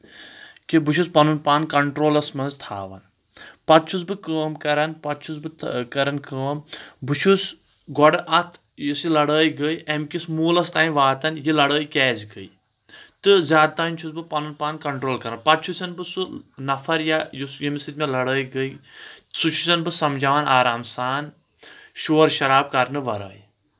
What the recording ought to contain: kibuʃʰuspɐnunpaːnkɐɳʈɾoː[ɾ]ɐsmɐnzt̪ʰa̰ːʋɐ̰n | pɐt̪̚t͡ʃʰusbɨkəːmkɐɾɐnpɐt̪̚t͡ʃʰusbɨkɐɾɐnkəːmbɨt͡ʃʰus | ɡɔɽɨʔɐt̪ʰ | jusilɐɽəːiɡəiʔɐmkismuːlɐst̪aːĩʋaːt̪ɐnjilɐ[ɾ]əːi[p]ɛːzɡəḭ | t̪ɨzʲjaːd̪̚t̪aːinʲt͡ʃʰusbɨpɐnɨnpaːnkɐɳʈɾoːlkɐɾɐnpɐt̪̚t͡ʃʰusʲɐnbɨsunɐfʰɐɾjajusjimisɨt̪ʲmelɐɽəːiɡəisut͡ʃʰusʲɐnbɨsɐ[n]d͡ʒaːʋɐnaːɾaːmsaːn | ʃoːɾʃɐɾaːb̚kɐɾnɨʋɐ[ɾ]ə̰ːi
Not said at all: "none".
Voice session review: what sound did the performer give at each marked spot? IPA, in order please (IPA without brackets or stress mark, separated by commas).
l, ɽ, k, m, ɾ